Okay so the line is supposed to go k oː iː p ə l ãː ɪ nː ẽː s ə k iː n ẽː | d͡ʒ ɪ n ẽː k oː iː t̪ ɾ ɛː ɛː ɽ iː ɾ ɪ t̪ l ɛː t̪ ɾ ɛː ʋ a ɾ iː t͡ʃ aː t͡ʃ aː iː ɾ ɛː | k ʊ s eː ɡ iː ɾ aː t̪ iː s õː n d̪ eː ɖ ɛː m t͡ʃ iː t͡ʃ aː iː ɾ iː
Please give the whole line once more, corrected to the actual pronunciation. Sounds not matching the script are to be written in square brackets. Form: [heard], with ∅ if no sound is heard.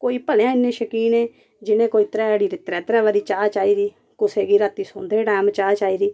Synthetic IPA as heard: k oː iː p ə l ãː ɪ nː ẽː [ʃ] ə k iː n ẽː | d͡ʒ ɪ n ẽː k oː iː t̪ ɾ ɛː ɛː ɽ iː ɾ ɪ t̪ [ɾ] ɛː t̪ ɾ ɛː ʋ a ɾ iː t͡ʃ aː t͡ʃ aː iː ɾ [iː] | k ʊ s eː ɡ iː ɾ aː t̪ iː s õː n d̪ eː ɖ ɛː m t͡ʃ [aː] t͡ʃ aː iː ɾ iː